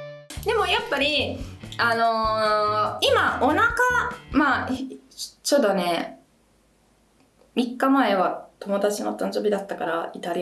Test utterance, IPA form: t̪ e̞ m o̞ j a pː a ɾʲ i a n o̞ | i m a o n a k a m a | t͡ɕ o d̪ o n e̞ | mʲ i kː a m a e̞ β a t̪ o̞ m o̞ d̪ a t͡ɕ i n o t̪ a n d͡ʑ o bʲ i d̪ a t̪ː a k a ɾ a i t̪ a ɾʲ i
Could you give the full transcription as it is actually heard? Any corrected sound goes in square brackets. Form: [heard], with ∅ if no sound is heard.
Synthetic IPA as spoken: [d̪] e̞ m o̞ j a pː a ɾʲ i a n o̞ | i m a o n a k a m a | t͡ɕ o d̪ o n e̞ | mʲ i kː a m a e̞ β a t̪ o̞ m o̞ d̪ a t͡ɕ i n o t̪ a n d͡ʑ o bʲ i d̪ a t̪ː a k a ɾ a i t̪ a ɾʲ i